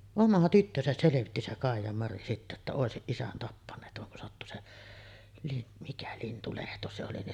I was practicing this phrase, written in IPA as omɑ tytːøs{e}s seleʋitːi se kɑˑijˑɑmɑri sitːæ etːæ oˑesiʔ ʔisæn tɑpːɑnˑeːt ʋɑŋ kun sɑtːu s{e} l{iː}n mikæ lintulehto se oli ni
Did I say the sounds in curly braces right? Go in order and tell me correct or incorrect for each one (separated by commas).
incorrect, correct, incorrect